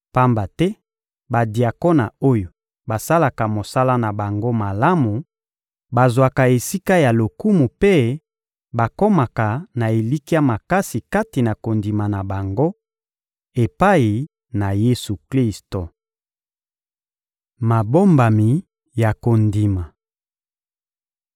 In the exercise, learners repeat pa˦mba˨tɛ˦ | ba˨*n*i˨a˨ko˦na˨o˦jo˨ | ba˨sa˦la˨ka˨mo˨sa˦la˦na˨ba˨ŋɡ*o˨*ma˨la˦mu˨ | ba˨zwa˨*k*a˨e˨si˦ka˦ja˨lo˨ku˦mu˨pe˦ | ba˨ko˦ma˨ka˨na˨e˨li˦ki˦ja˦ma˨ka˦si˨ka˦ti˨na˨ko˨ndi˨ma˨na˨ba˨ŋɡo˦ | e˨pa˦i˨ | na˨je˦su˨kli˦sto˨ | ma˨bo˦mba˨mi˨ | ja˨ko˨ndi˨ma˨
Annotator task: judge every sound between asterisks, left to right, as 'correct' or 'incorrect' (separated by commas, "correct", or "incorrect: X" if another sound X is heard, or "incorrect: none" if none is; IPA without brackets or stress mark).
incorrect: d, incorrect: o˦, correct